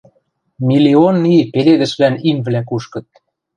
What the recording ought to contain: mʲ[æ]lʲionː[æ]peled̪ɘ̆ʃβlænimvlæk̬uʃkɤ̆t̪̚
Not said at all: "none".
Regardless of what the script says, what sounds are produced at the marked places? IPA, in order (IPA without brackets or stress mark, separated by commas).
i, i